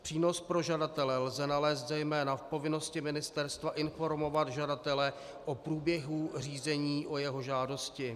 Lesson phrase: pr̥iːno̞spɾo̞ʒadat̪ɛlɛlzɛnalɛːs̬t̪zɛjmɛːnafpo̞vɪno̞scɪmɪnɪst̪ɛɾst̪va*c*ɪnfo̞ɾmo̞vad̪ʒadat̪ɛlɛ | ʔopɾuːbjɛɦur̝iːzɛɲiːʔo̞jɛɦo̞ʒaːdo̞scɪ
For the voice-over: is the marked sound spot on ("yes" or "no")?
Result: no